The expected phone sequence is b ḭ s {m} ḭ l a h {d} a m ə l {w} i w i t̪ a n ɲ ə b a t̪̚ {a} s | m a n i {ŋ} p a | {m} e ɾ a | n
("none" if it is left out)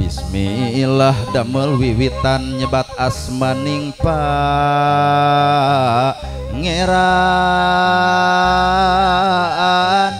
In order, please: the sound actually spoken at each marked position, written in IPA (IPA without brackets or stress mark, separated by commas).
m, d, w, a, ŋ, ŋ